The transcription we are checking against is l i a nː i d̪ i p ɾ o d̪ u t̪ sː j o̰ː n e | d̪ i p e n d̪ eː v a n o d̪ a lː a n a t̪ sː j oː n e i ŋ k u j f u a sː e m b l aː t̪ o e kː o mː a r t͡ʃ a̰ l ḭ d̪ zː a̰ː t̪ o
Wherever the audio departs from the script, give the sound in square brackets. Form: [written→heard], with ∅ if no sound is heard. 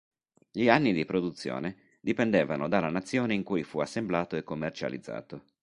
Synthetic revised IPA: [l→ʎ] i a nː i d̪ i p ɾ o d̪ u t̪ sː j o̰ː n e | d̪ i p e n d̪ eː v a n o d̪ a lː a n a t̪ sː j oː n e i ŋ k u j f u a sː e m b l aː t̪ o e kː o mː [a→e] r t͡ʃ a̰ l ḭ d̪ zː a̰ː t̪ o